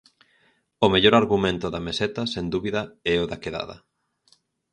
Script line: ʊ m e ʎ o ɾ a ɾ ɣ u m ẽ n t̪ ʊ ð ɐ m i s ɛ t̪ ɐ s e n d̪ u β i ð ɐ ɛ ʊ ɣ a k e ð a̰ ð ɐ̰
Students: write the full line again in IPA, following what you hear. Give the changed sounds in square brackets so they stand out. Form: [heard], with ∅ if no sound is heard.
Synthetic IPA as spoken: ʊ m e ʎ o ɾ a ɾ ɣ u m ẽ n t̪ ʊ ð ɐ m [e] s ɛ t̪ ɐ s e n d̪ u β i ð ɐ ɛ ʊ [ð] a k e ð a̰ ð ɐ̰